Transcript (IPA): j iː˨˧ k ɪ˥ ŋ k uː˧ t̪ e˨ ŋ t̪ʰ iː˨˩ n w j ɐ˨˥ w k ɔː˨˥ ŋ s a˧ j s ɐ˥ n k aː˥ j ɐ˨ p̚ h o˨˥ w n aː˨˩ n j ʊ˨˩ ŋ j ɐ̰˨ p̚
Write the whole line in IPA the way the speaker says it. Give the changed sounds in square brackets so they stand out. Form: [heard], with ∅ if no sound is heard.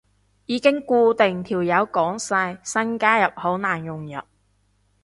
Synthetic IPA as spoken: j iː˨˧ k ɪ˥ ŋ k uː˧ t̪ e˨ ŋ t̪ʰ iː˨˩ [∅] w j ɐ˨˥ w k ɔː˨˥ ŋ s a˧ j s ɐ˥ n k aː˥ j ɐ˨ p̚ h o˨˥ w n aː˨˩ n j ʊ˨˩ ŋ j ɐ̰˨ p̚

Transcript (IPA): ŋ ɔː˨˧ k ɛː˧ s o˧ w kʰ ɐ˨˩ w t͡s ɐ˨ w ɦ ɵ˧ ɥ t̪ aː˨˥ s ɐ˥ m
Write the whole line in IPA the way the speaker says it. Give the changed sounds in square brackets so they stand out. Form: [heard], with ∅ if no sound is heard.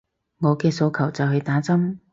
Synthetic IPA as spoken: ŋ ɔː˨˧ k ɛː˧ s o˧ w kʰ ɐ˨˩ w t͡s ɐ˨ w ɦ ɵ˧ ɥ t̪ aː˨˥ [t͡s] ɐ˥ m

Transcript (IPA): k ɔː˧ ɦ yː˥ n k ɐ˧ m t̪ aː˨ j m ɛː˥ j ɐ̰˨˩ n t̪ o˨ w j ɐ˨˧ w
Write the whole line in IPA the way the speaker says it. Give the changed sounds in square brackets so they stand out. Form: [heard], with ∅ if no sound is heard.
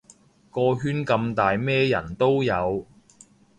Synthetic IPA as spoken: k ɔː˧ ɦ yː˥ n k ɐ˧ m t̪ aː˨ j m ɛː˥ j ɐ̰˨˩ n t̪ [o˥] w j ɐ˨˧ w

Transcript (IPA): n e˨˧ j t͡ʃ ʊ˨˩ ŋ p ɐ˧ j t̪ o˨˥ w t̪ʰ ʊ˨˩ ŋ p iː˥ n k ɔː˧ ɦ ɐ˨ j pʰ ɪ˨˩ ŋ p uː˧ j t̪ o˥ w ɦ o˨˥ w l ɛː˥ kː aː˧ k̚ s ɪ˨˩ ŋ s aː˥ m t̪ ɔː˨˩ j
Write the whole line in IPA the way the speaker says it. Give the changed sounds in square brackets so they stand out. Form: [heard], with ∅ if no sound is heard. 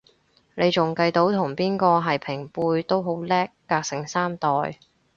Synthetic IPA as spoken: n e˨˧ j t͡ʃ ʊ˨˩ ŋ [k] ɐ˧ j t̪ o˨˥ w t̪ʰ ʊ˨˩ ŋ p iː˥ n k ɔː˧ ɦ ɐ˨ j pʰ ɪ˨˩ ŋ p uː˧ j t̪ o˥ w ɦ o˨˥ w l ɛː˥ kː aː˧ k̚ s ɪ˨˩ ŋ s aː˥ m t̪ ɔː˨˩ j

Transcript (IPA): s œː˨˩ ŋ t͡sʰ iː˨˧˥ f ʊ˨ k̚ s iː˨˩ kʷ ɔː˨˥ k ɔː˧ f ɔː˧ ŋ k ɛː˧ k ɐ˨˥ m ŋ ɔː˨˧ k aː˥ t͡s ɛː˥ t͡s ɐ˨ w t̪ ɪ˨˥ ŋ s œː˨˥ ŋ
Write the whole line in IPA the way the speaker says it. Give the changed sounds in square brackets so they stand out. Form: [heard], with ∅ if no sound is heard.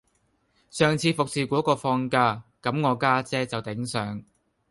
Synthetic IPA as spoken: s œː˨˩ ŋ t͡sʰ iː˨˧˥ f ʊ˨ k̚ s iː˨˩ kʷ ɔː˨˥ k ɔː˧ f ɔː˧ ŋ k [aː˧] k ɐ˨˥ m ŋ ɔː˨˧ k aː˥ t͡s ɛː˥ t͡s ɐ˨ w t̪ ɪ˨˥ ŋ s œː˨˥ ŋ

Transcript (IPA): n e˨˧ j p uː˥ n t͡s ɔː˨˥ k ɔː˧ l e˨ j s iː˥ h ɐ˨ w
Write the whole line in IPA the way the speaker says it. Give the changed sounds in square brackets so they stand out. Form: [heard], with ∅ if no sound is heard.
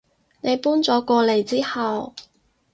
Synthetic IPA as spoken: n e˨˧ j p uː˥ n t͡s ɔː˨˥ k ɔː˧ l e˨ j [t͡s] iː˥ h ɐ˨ w

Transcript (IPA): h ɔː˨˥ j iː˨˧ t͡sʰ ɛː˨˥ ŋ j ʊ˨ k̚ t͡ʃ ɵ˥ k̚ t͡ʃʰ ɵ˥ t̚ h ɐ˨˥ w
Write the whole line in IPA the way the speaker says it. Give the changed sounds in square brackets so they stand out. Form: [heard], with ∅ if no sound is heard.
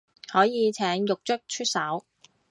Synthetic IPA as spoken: h ɔː˨˥ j iː˨˧ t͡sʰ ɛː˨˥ ŋ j ʊ˨ k̚ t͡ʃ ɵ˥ k̚ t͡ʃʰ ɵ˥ t̚ [s] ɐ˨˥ w

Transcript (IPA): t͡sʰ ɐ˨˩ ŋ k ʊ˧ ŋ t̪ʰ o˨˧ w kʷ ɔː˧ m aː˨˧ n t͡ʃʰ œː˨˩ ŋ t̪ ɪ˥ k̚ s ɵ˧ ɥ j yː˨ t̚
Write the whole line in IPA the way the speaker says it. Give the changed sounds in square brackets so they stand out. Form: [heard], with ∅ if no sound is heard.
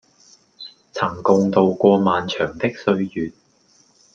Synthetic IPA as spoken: t͡sʰ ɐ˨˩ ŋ k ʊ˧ ŋ [t̪] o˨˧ w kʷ ɔː˧ m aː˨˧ n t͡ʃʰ œː˨˩ ŋ t̪ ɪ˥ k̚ s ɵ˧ ɥ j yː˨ t̚

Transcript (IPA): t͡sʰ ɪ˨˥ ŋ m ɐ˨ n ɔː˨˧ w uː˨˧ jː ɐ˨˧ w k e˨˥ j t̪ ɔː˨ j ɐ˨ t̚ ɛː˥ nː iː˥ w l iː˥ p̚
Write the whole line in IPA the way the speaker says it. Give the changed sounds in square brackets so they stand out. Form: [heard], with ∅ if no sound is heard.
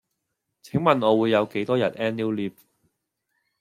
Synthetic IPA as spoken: t͡sʰ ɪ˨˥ ŋ m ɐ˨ n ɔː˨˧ w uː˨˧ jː ɐ˨˧ w k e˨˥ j t̪ [ɔː˥] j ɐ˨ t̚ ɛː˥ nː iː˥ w l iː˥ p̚

